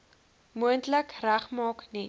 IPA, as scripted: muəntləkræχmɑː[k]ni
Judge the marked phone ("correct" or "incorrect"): correct